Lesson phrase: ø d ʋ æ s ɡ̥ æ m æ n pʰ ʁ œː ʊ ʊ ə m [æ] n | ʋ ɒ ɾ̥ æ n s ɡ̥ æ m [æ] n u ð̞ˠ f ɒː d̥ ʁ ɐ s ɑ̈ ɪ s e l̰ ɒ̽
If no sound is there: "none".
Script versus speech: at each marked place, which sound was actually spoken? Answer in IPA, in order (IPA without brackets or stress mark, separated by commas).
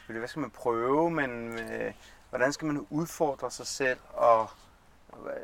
e, æ